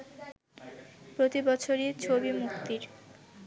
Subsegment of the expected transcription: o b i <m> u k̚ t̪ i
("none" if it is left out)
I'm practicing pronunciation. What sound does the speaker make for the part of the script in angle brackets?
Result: m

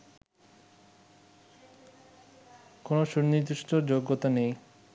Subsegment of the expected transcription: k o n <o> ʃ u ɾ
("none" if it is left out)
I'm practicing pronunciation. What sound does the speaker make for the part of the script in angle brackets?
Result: o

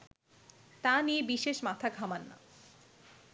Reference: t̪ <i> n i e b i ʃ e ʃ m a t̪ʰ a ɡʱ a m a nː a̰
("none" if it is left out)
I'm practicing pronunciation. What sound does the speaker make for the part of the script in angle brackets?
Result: a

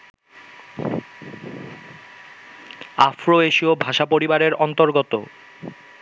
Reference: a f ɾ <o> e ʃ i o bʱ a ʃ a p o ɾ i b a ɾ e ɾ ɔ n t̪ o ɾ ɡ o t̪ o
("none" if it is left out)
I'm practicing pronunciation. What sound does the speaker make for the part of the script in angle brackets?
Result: o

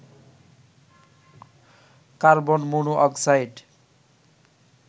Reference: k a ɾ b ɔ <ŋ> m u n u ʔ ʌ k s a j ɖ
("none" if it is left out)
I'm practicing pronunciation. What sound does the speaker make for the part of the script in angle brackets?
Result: n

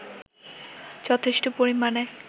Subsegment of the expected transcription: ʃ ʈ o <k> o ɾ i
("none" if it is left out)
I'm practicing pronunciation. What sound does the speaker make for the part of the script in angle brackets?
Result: p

